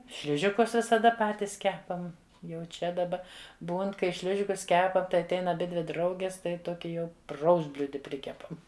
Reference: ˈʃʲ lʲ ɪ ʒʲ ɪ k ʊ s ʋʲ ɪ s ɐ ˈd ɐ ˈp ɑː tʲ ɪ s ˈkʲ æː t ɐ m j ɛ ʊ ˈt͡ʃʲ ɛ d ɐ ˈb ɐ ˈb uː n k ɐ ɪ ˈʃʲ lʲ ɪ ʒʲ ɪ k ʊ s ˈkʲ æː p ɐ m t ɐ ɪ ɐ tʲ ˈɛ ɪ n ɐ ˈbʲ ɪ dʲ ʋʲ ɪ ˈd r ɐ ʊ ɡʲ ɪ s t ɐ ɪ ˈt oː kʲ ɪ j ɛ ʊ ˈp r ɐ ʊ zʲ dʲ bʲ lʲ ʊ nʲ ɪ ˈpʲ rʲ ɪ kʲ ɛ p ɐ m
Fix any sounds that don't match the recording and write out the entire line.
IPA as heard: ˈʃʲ lʲ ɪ ʒʲ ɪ k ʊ s ʋʲ ɪ s ɐ ˈd ɐ ˈp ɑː tʲ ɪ s ˈkʲ æː p ɐ m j ɛ ʊ ˈt͡ʃʲ ɛ d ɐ ˈb ɐ ˈb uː n k ɐ ɪ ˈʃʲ lʲ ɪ ʒʲ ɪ k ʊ s ˈkʲ æː p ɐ m t ɐ ɪ ɐ tʲ ˈɛ ɪ n ɐ ˈbʲ ɪ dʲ ʋʲ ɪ ˈd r ɐ ʊ ɡʲ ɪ s t ɐ ɪ ˈt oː kʲ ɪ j ɛ ʊ ˈp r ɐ ʊ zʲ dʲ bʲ lʲ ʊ dʲ ɪ ˈpʲ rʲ ɪ kʲ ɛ p ɐ m